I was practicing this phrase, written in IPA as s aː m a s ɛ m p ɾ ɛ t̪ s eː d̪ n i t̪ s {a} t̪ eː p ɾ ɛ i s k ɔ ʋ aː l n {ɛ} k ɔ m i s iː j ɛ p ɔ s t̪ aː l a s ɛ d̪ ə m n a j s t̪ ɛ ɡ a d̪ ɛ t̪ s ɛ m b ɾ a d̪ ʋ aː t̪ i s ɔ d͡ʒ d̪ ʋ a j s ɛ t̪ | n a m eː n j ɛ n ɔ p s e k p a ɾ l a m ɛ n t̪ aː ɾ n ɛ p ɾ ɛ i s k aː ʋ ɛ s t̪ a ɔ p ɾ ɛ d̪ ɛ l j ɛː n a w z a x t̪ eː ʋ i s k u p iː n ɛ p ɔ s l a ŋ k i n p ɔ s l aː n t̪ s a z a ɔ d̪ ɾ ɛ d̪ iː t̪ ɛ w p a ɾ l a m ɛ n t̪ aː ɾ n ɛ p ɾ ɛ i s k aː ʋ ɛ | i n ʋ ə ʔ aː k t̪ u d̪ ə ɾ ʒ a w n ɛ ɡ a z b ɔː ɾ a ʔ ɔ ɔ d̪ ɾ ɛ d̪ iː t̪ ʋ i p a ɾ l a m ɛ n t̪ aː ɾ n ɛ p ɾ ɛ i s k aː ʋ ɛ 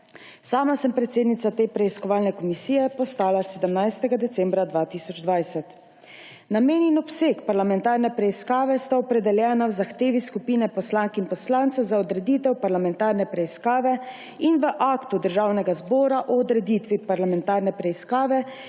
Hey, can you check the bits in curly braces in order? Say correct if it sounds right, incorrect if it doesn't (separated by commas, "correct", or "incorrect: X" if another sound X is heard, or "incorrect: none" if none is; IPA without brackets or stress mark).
correct, correct